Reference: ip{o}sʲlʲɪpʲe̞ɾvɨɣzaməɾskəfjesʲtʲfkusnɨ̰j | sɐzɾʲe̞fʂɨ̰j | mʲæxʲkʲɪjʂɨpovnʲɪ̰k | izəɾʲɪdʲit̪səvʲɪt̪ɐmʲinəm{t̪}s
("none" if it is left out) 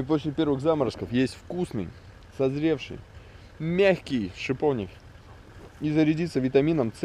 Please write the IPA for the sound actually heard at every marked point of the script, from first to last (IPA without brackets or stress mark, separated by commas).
o, t̪